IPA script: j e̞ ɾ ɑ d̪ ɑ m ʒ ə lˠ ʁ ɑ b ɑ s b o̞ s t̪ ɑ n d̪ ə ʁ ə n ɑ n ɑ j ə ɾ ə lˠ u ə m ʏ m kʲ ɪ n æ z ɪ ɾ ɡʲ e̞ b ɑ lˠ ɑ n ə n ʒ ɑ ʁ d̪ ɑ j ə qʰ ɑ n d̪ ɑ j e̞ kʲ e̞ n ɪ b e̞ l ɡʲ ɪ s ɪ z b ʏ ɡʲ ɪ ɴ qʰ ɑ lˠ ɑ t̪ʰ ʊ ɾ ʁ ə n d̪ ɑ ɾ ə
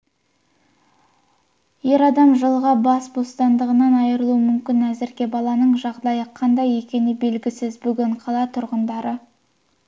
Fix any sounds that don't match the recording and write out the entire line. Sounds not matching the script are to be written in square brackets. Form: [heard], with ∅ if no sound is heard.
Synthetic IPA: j e̞ ɾ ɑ d̪ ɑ m ʒ ə lˠ ʁ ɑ b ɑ s b o̞ s t̪ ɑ n d̪ ə ʁ ə n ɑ n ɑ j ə ɾ ə lˠ u ə m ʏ m kʲ ɪ n æ z ɪ ɾ ɡʲ e̞ b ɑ lˠ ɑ n ə [ɴ] ʒ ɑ ʁ d̪ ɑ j ə qʰ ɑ n d̪ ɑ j e̞ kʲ e̞ n ɪ b e̞ l ɡʲ ɪ s ɪ z b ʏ ɡʲ ɪ ɴ qʰ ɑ lˠ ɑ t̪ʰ ʊ ɾ ʁ ə n d̪ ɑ ɾ ə